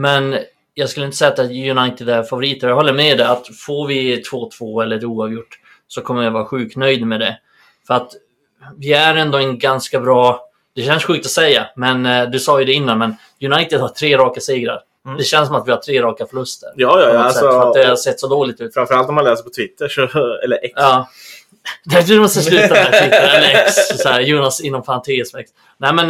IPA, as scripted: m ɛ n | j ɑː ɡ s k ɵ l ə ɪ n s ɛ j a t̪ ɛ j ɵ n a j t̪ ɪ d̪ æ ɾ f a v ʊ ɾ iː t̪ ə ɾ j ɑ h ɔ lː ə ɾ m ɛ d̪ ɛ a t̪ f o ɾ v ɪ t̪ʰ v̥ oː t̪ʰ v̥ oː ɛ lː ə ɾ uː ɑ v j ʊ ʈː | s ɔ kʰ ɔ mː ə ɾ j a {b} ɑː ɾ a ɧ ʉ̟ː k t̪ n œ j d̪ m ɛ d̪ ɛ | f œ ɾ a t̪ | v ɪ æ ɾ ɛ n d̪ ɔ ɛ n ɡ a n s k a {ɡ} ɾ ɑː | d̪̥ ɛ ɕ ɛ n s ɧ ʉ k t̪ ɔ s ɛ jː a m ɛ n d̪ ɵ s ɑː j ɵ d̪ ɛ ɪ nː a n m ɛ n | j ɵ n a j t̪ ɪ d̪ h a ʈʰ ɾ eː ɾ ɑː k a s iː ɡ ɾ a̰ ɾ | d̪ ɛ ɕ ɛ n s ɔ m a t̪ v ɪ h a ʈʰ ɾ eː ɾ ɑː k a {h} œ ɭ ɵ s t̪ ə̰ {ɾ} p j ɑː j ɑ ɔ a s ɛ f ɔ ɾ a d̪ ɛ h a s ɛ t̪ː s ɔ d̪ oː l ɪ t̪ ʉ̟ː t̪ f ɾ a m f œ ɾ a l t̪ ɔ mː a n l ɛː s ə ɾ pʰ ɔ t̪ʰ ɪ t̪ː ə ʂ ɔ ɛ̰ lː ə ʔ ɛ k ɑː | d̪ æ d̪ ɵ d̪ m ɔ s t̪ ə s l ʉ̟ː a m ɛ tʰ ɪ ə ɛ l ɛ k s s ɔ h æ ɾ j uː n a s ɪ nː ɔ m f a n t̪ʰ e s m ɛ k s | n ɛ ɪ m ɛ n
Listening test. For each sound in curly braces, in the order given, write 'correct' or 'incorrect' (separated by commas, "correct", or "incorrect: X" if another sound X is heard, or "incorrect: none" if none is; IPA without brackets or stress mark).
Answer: incorrect: v, incorrect: b, incorrect: f, correct